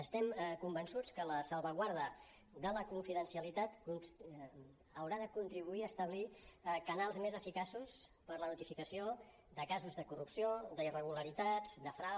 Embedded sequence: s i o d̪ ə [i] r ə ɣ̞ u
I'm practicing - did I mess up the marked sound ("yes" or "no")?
no